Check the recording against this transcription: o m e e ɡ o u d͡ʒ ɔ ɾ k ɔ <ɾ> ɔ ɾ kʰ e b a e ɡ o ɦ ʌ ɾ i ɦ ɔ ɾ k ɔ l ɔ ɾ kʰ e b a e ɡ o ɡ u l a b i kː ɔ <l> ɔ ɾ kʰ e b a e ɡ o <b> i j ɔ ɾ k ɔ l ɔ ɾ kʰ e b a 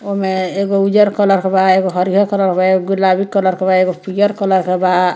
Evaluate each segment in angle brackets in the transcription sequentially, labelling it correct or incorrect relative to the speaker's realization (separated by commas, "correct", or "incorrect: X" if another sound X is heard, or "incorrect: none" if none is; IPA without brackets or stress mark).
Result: incorrect: l, correct, incorrect: p